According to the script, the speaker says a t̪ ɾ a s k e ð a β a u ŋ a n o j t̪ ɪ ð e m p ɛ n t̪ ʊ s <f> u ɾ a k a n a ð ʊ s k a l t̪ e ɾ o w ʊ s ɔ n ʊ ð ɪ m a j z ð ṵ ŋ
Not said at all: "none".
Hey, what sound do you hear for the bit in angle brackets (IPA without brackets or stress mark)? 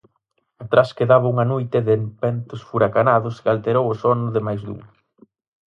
f